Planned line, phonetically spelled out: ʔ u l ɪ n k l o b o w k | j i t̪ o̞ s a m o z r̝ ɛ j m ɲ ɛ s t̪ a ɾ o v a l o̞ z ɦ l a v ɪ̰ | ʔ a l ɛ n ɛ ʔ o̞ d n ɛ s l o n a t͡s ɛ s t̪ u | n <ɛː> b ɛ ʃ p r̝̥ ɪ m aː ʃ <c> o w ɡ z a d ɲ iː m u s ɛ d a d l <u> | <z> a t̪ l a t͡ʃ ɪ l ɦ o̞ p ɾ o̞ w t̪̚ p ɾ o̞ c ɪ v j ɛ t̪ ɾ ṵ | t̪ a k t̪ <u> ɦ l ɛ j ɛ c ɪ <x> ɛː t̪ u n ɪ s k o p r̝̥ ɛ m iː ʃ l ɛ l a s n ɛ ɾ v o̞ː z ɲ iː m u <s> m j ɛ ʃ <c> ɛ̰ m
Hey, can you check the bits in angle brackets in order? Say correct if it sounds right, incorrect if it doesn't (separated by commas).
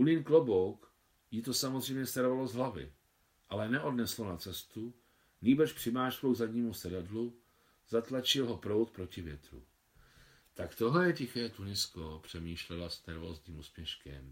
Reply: incorrect, incorrect, correct, correct, incorrect, correct, correct, incorrect